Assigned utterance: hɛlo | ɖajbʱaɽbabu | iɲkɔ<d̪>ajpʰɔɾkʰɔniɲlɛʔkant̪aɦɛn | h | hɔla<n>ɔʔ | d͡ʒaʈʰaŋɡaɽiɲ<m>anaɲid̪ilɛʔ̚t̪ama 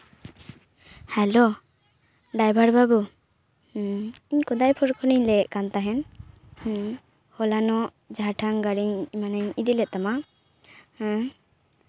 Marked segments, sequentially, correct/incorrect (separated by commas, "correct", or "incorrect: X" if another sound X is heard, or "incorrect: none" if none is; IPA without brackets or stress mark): correct, correct, correct